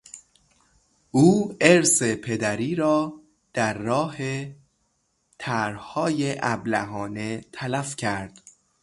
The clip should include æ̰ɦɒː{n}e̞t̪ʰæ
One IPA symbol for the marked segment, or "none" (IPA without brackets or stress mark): n